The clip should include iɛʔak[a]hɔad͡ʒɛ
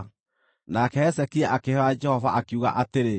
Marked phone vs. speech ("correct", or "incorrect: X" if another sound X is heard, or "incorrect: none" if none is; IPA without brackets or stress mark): incorrect: e